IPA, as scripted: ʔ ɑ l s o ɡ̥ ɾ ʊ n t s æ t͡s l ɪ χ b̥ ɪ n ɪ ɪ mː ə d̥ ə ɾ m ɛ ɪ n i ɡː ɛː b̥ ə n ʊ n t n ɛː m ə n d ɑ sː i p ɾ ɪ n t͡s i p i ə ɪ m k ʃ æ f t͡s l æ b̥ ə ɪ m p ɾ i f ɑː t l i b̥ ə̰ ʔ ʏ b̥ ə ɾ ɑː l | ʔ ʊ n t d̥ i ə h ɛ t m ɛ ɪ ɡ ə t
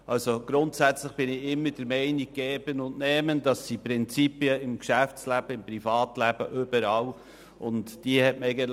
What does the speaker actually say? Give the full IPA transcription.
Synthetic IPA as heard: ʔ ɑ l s o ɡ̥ ɾ ʊ n t s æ t͡s l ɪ χ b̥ ɪ n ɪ ɪ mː ə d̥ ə ɾ m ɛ ɪ n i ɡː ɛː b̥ ə n ʊ n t n ɛː m ə n d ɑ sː i p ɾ ɪ n t͡s i p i ə ɪ m k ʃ æ f t͡s l æ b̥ ə ɪ m p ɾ i f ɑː t l æ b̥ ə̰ ʔ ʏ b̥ ə ɾ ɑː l | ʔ ʊ n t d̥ i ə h ɛ t m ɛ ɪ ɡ ə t